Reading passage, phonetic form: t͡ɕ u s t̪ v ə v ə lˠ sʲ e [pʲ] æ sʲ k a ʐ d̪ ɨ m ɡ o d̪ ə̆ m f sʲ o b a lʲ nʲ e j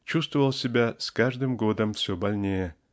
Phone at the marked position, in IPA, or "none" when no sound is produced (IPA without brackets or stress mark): bʲ